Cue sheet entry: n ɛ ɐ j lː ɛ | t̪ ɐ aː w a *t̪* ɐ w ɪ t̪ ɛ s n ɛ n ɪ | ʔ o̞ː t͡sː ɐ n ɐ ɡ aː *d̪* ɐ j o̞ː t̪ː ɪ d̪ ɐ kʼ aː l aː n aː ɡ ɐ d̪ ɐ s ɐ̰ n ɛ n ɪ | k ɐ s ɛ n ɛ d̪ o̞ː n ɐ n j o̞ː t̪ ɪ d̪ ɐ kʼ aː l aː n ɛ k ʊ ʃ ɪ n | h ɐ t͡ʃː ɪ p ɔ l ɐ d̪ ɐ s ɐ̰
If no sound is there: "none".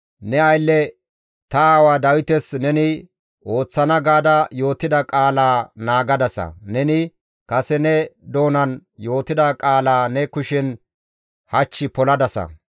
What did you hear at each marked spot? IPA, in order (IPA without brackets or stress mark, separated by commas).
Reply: d̪, d̪